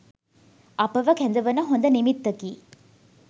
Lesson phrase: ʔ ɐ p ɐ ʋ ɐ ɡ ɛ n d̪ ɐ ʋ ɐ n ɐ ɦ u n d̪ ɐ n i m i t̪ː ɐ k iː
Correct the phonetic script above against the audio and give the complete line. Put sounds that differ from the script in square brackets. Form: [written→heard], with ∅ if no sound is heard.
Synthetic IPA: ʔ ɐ p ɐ ʋ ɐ [ɡ→k] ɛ n d̪ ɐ ʋ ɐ n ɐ ɦ [u→o] n d̪ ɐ n i m i t̪ː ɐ k iː